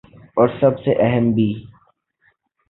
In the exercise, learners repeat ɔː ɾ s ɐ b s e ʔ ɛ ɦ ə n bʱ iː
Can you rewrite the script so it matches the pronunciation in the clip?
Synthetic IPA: ɔː ɾ s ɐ b s e ʔ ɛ ɦ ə m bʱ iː